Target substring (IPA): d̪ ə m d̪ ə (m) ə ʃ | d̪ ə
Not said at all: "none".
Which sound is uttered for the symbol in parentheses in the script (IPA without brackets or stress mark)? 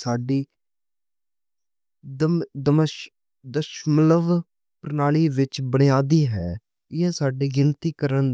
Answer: m